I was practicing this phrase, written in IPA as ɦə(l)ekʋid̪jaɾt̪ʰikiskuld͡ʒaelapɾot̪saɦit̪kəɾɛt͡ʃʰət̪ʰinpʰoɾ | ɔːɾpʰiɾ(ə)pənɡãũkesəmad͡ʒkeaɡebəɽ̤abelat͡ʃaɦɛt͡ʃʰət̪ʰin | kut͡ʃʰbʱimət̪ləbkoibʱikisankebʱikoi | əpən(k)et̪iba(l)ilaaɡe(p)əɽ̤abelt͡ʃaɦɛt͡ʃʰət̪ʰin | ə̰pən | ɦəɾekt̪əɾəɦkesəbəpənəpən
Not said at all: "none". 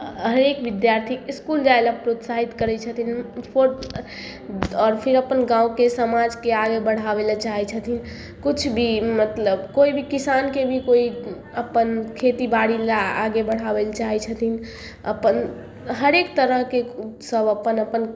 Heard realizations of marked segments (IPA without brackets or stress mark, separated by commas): ɾ, ə, kʰ, ɽ, b